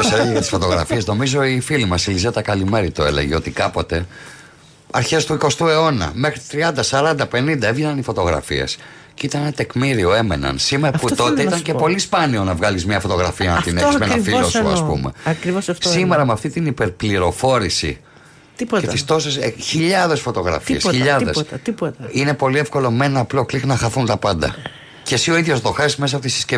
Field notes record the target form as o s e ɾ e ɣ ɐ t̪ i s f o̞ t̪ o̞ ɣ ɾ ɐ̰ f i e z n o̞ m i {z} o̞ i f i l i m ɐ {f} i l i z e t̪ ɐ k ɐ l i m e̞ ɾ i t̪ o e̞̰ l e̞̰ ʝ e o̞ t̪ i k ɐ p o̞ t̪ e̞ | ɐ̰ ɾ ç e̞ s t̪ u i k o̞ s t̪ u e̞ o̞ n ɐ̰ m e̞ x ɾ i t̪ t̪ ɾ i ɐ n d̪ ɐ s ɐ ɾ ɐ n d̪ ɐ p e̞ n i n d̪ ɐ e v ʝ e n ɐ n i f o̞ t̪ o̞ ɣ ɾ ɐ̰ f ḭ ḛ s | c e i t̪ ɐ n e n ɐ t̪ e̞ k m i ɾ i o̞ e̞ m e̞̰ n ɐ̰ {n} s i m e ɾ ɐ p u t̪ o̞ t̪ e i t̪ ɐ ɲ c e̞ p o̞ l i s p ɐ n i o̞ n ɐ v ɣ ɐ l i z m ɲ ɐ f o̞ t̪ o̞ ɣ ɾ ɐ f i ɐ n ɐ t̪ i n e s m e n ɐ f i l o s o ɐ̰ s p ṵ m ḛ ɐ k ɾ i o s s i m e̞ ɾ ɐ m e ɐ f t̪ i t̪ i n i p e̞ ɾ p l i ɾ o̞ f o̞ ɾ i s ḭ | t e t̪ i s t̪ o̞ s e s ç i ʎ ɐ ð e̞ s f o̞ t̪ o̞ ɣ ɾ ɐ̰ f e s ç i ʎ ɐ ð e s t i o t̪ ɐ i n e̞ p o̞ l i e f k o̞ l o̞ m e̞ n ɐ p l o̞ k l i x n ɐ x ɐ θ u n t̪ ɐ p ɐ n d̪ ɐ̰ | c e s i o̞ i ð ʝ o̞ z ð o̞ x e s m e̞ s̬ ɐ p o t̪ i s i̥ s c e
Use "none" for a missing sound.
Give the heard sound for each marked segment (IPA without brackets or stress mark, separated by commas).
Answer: z, s, n